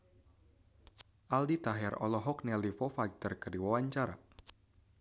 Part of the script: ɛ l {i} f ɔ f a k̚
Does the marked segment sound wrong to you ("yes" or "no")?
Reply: no